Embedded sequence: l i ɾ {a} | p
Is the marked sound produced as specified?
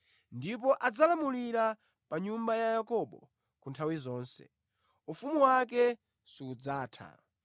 yes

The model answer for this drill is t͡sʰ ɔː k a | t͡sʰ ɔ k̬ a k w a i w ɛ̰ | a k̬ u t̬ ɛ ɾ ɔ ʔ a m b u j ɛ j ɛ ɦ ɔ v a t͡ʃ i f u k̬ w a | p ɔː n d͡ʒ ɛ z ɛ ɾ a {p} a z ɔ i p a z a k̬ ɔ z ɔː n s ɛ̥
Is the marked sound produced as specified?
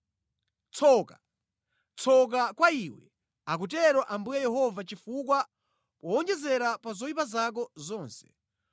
yes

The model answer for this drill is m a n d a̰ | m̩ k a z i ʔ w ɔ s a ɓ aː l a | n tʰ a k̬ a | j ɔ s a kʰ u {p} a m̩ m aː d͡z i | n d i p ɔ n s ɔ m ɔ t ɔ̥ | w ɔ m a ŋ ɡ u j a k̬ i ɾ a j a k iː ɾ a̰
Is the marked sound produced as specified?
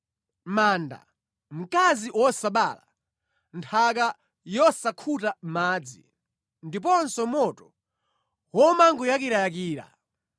no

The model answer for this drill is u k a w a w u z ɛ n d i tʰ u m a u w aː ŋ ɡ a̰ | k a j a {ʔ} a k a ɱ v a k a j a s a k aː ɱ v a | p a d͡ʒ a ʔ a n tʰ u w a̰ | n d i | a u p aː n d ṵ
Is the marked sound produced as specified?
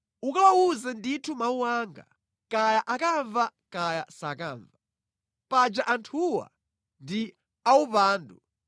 yes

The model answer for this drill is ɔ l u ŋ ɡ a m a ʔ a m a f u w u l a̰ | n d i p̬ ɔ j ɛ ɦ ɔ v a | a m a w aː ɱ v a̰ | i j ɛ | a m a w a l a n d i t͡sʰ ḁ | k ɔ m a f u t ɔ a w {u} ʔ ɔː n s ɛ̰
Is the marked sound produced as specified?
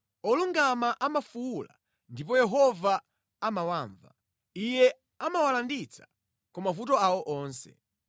no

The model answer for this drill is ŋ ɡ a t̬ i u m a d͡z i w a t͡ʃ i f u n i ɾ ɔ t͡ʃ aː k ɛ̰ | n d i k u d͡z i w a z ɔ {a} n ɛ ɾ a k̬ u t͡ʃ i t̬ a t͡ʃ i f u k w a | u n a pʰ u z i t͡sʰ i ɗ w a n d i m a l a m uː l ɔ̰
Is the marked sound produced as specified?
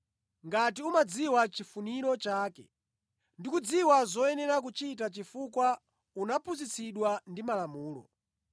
no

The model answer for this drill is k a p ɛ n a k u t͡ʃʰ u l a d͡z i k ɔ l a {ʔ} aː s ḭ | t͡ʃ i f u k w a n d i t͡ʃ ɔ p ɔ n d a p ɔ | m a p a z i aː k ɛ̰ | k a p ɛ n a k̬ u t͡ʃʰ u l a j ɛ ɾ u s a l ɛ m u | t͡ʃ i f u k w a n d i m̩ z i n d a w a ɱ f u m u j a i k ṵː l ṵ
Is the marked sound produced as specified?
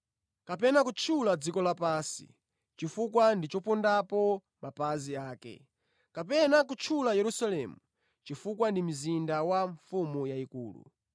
no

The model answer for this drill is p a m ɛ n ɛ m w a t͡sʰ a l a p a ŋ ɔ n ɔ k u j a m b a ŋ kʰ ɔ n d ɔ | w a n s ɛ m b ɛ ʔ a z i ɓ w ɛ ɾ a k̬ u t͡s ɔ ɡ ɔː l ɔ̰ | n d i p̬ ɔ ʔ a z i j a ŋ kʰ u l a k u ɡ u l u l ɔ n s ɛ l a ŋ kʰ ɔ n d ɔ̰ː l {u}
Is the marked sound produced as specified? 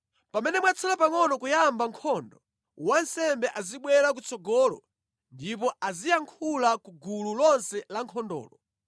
no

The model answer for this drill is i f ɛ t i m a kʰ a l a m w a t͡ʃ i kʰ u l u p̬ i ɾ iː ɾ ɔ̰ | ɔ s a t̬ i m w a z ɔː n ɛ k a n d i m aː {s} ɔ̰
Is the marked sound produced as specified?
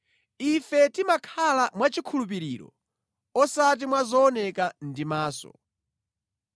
yes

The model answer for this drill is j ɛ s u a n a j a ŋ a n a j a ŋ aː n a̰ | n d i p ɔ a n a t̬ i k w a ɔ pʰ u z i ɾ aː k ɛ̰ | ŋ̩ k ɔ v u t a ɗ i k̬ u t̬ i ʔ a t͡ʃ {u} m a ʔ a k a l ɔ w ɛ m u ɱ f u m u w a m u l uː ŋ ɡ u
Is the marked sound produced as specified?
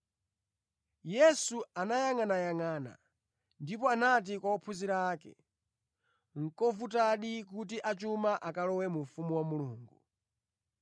yes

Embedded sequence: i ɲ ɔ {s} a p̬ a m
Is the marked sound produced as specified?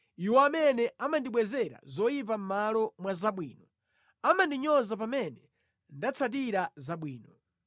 no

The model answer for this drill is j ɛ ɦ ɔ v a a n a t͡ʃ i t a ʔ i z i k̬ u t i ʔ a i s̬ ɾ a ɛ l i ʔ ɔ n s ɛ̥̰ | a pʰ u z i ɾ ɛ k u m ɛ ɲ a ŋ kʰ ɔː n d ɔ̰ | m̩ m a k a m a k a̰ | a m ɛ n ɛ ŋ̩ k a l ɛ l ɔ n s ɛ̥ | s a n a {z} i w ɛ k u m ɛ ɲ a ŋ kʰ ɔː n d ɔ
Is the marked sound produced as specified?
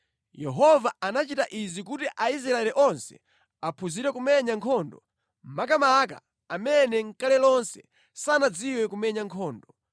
no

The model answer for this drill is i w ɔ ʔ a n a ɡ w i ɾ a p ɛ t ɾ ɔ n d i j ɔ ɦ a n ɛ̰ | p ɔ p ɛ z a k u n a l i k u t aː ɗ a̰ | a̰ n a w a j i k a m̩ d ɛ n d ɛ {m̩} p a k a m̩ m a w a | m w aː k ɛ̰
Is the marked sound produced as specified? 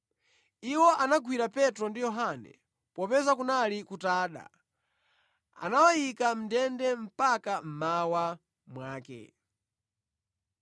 yes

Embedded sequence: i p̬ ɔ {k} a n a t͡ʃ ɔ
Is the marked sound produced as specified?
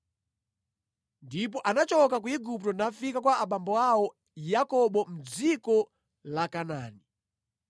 no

